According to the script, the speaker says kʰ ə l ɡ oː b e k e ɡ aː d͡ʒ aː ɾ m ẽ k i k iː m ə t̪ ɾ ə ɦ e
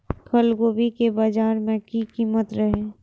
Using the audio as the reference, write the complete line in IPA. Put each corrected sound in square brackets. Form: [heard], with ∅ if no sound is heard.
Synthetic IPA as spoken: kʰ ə l ɡ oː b [i] k e [b] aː d͡ʒ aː ɾ m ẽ k i k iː m ə t̪ ɾ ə ɦ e